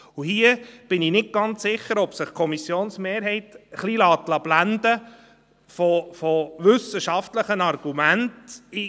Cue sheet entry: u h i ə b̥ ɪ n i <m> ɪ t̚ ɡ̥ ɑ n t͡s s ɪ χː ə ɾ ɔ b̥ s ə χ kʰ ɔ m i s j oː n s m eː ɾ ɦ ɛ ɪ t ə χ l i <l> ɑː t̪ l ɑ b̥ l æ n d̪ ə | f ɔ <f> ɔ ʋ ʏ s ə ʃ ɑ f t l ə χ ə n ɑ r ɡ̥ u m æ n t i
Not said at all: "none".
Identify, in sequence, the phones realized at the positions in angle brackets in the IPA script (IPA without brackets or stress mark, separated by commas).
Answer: n, l, f